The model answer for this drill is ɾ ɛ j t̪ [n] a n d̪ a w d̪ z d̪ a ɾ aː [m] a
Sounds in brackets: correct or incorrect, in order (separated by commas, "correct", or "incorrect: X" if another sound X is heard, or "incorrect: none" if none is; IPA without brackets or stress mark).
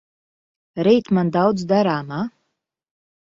incorrect: m, correct